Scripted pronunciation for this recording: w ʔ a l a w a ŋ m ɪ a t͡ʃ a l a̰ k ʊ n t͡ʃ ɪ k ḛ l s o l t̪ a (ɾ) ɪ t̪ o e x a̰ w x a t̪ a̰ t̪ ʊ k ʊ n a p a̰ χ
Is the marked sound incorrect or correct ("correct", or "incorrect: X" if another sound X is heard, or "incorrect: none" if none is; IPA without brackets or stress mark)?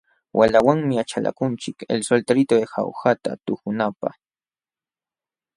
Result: correct